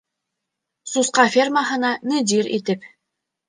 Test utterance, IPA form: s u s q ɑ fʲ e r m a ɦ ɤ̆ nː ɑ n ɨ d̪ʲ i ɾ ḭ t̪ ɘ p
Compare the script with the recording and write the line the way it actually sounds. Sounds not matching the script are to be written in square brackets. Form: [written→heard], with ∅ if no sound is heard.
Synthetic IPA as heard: s u s q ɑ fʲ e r m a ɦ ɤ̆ [nː→n] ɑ n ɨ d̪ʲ i ɾ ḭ t̪ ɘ p

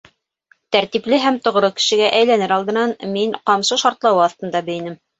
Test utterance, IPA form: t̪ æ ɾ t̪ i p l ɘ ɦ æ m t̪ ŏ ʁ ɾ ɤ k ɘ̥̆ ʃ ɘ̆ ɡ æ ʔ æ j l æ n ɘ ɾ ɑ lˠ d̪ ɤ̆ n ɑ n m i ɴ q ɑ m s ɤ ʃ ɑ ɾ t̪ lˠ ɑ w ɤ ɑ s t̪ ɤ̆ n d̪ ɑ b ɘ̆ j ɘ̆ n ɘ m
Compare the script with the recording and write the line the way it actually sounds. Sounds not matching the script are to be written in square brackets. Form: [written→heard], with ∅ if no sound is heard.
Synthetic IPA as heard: t̪ æ ɾ t̪ i p l ɘ ɦ æ m t̪ ŏ ʁ ɾ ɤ k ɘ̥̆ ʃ ɘ̆ ɡ æ ʔ æ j l æ n ɘ ɾ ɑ lˠ d̪ ɤ̆ n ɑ n m i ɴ q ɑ m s ɤ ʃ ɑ ɾ t̪ lˠ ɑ w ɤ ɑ [s→θ] t̪ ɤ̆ n d̪ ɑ b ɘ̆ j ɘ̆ n ɘ m

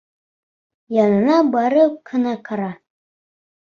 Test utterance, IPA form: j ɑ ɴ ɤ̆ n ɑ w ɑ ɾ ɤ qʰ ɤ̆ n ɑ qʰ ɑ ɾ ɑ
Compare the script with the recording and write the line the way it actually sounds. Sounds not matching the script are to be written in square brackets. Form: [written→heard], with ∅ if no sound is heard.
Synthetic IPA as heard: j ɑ [ɴ→n] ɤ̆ n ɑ [w→b] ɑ ɾ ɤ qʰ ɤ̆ n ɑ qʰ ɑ ɾ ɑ

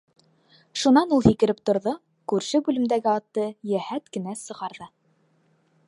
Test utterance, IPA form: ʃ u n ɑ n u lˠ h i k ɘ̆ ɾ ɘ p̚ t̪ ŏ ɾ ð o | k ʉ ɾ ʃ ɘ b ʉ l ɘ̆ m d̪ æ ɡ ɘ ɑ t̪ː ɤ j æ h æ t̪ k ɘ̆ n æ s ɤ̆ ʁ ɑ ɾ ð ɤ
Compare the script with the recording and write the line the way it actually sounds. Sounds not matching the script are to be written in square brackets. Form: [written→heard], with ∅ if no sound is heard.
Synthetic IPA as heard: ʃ u n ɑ n u lˠ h i k ɘ̆ ɾ ɘ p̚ t̪ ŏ ɾ ð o | k ʉ ɾ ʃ ɘ b ʉ l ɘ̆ m d̪ æ ɡ ɘ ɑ t̪ː ɤ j æ h æ t̪ k ɘ̆ n æ s ɤ̆ ʁ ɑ ɾ ð ɤ

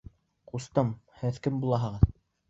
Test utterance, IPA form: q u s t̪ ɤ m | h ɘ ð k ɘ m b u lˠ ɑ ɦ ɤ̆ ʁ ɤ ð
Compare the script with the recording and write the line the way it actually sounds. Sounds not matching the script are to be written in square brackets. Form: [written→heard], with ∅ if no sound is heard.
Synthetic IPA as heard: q u s t̪ ɤ m | h ɘ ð k ɘ m b u lˠ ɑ ɦ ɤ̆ ʁ ɤ ð

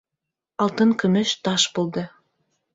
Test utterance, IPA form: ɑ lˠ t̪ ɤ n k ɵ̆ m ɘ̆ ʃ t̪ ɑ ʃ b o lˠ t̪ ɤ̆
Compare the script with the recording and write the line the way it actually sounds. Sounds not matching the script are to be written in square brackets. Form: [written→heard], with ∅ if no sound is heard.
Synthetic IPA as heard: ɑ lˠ t̪ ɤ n k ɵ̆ m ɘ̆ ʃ t̪ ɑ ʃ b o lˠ [t̪→d̪] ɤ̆

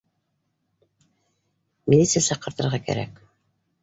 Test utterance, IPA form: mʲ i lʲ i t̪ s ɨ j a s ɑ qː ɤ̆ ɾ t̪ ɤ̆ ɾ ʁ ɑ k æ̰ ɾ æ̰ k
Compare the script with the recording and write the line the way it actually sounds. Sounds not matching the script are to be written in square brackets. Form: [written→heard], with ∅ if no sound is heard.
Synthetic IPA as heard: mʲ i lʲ i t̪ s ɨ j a s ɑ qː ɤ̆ ɾ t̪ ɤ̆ ɾ ʁ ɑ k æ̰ ɾ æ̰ k

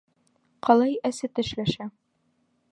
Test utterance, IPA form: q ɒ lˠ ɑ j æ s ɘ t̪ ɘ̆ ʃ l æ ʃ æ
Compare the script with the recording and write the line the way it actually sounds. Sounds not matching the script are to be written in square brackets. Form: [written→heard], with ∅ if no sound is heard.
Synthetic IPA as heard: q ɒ lˠ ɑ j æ s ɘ t̪ ɘ̆ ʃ l æ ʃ æ

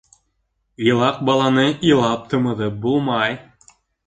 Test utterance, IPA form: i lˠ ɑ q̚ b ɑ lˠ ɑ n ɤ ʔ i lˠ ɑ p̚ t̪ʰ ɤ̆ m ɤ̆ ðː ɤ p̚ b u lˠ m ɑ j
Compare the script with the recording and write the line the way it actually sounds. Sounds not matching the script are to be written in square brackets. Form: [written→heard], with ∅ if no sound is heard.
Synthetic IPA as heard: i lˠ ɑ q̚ b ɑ lˠ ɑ n ɤ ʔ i lˠ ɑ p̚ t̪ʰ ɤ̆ m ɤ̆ [ðː→ð] ɤ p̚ b u lˠ m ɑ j

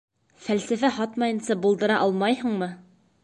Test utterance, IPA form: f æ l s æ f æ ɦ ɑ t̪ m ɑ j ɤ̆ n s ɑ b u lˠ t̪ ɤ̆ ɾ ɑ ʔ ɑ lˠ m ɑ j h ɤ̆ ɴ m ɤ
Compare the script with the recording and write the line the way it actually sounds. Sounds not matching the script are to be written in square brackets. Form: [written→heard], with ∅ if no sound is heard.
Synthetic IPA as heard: f æ l s æ f æ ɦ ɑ t̪ m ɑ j ɤ̆ n s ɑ b u lˠ [t̪→d̪] ɤ̆ ɾ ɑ ʔ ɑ lˠ m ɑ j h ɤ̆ ɴ m ɤ

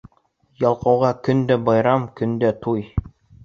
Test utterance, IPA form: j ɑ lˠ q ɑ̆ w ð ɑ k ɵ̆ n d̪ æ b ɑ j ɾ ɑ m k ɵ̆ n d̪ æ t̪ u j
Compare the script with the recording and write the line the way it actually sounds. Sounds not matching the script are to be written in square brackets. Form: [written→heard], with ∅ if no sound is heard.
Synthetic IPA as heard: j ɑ lˠ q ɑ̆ w [ð→ʁ] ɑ k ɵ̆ n d̪ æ b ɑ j ɾ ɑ m k ɵ̆ n d̪ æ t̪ u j

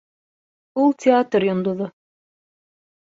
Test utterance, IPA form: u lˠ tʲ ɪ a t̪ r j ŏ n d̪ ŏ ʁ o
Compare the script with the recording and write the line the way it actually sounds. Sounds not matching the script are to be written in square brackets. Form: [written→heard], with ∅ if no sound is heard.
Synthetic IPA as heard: u lˠ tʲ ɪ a t̪ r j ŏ n d̪ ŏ [ʁ→ð] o

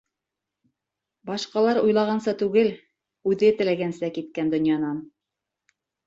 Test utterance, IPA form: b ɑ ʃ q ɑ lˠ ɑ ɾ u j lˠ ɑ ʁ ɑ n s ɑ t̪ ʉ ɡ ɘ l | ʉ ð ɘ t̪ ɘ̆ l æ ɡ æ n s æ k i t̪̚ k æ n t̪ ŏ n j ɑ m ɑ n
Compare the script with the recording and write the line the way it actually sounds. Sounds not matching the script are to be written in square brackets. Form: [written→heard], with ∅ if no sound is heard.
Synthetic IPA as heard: b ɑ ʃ q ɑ lˠ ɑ ɾ u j lˠ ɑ ʁ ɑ n s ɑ t̪ ʉ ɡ ɘ l | ʉ ð ɘ t̪ ɘ̆ l æ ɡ æ n s æ k i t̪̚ k æ n [t̪→d̪] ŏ n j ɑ [m→n] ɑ n

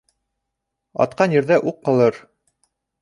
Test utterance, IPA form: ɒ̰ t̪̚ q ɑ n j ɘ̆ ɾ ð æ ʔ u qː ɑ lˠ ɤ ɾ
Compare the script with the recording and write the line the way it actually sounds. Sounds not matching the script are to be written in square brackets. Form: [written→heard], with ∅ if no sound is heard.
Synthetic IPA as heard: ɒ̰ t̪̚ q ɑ n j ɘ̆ ɾ ð æ ʔ u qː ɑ lˠ ɤ ɾ

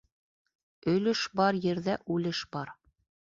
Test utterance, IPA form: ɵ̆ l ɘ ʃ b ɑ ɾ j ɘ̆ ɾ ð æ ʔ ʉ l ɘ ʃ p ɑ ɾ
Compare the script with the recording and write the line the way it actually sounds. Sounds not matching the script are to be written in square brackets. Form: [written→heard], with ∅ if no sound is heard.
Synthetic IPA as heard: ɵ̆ l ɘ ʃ b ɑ ɾ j ɘ̆ ɾ ð æ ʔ ʉ l ɘ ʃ [p→b] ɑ ɾ

